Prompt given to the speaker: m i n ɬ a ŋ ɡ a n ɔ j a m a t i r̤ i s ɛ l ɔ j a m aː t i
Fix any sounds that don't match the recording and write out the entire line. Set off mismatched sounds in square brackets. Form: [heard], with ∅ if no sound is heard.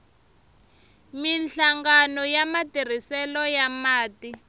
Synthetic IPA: m i n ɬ a ŋ ɡ a n ɔ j a m a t i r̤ i s ɛ l ɔ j a m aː t i